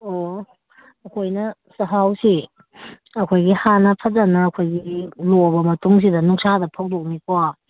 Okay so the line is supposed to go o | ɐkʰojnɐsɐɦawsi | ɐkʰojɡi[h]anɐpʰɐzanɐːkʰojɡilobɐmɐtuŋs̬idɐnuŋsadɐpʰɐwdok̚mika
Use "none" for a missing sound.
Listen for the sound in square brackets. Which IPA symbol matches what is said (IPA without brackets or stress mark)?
h